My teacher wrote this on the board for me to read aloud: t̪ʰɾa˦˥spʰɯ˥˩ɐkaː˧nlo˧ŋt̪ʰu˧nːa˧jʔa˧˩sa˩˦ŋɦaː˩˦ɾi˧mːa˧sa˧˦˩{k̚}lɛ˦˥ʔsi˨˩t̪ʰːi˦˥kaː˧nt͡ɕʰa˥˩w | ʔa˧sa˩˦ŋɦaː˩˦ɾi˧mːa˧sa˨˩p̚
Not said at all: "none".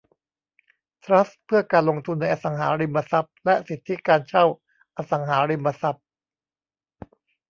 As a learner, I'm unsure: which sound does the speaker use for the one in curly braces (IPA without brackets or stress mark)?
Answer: p̚